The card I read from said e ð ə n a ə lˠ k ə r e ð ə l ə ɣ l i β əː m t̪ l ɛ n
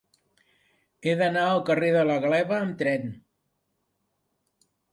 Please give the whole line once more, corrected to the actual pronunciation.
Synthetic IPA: e ð ə n a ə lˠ k ə r e ð ə l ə ɣ l ɛ β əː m t̪ ɾ ɛ n